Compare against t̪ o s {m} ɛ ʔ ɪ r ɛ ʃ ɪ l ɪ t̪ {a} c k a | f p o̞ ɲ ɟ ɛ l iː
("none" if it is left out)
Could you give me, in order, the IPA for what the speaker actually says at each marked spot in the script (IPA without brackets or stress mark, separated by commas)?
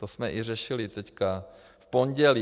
m, ɛ